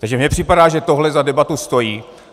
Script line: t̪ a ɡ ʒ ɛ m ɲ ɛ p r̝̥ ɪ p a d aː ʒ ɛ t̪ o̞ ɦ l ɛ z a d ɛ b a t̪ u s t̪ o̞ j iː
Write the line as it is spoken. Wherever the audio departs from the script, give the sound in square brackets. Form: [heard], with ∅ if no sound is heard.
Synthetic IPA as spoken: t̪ a ɡ ʒ ɛ m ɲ ɛ p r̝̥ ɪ p a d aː ʒ ɛ t̪ o̞ ɦ l ɛ z a d ɛ b a t̪ u s t̪ o̞ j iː

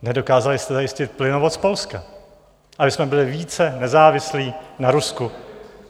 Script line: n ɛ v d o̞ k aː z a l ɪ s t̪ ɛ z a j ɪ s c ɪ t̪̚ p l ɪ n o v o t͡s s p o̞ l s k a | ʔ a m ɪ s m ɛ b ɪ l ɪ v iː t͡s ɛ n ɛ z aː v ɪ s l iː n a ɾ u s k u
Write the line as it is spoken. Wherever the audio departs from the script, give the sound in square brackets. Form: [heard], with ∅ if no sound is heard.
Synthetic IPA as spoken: n ɛ [∅] d o̞ k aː z a l ɪ s t̪ ɛ z a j ɪ s c ɪ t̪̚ p l ɪ n o v o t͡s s p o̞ l s k a | ʔ a [b] ɪ s m ɛ b ɪ l ɪ v iː t͡s ɛ n ɛ z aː v ɪ s l iː n a ɾ u s k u

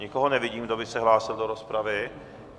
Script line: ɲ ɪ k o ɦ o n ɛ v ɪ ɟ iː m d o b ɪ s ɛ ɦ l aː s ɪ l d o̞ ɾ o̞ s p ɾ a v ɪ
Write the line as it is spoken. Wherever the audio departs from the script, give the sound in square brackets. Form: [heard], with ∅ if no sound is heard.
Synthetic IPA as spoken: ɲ ɪ k o ɦ o n ɛ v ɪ ɟ iː m d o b ɪ s ɛ ɦ l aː s ɪ l d o̞ ɾ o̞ s p ɾ a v ɪ

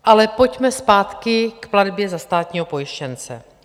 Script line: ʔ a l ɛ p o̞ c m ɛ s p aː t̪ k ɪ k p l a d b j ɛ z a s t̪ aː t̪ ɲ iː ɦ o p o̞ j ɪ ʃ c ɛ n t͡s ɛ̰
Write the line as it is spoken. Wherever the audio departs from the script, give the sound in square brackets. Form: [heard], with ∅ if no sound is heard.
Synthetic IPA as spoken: ʔ a l ɛ p o̞ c m ɛ s p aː t̪ k ɪ k p l a d b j ɛ z a s t̪ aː t̪ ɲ iː ɦ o p o̞ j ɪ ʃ c ɛ n t͡s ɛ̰

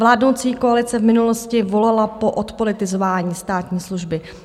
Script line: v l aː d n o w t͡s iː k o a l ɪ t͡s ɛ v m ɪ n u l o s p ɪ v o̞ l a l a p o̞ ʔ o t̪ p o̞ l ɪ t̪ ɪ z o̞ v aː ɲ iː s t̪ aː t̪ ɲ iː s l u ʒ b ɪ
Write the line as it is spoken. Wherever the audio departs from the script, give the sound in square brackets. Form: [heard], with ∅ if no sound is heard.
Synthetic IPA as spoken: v l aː d n o w t͡s iː k o a l ɪ t͡s ɛ v m ɪ n u l o s [c] ɪ v o̞ l a l a p o̞ ʔ o t̪ p o̞ l ɪ t̪ ɪ z o̞ v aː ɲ iː s t̪ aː t̪ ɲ iː s l u ʒ b ɪ

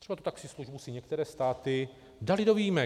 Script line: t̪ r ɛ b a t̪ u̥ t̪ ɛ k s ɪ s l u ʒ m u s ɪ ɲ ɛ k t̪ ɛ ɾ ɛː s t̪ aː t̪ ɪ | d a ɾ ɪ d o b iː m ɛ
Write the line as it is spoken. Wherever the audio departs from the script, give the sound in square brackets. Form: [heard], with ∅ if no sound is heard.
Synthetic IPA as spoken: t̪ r ɛ b a t̪ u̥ t̪ [a] k s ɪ s l u ʒ [b] u s ɪ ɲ ɛ k t̪ ɛ ɾ ɛː s t̪ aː t̪ ɪ | d a [l] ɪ d o [v] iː m ɛ

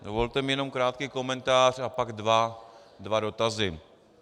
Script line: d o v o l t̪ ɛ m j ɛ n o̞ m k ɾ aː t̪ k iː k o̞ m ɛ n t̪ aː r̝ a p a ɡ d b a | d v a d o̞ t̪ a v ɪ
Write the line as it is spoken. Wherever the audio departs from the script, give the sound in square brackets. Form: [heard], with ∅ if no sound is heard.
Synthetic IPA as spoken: d o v o l t̪ ɛ m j ɛ n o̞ m k ɾ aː t̪ k iː k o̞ m ɛ n t̪ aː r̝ a p a ɡ d [v] a | d v a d o̞ t̪ a [z] ɪ

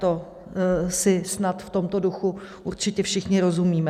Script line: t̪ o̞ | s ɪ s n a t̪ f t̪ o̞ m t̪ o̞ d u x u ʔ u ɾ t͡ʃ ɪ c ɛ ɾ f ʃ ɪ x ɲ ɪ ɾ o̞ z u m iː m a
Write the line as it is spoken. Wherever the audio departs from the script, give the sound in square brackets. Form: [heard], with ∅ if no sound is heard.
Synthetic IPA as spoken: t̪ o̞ | s ɪ s n a t̪ f t̪ o̞ m t̪ o̞ d u x u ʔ u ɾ t͡ʃ ɪ c ɛ [∅] f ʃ ɪ x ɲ ɪ ɾ o̞ z u m iː m [ɛ]

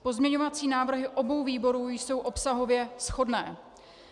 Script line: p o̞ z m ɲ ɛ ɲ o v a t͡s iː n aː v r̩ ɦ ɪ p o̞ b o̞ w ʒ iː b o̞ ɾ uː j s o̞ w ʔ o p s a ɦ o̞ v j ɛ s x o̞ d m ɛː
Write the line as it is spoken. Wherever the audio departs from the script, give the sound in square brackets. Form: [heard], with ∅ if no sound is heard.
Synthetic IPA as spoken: p o̞ z m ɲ ɛ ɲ o v a t͡s iː n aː v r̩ ɦ ɪ [ʔ] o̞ b o̞ w [v] iː b o̞ ɾ uː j s o̞ w ʔ o p s a ɦ o̞ v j ɛ s x o̞ d [n] ɛː

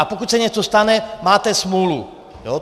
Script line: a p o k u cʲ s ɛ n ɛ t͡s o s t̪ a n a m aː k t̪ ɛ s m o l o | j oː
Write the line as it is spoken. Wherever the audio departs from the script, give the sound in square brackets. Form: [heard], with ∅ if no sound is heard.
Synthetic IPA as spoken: a p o k u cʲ s ɛ [ɲ] ɛ t͡s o s t̪ a n [ɛ] m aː [∅] t̪ ɛ s m [u] l [u] | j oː

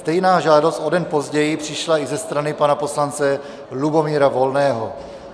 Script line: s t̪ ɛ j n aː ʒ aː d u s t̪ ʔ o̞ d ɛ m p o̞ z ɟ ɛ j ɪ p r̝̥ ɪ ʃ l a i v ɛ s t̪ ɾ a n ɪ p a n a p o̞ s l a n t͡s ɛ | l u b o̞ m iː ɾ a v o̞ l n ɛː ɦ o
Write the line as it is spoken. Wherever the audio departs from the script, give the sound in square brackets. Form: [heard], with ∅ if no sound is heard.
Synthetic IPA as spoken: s t̪ ɛ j n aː ʒ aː d [o] s t̪ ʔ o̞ d ɛ [n] p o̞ z ɟ ɛ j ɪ p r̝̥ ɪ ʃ l a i [z] ɛ s t̪ ɾ a n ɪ p a n a p o̞ s l a n t͡s ɛ | l u b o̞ m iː ɾ a v o̞ l n ɛː ɦ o

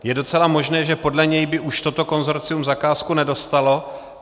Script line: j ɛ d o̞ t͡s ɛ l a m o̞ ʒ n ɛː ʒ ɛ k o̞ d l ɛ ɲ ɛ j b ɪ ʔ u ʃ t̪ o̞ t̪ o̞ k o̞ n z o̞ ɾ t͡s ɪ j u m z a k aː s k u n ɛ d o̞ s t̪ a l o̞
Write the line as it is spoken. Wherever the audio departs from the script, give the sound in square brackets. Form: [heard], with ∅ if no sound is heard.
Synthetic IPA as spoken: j ɛ d o̞ t͡s ɛ l a m o̞ ʒ n ɛː ʒ ɛ [p] o̞ d l ɛ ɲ ɛ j b ɪ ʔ u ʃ t̪ o̞ t̪ o̞ k o̞ n z o̞ ɾ t͡s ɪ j u m z a k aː s k u n ɛ d o̞ s t̪ a l o̞

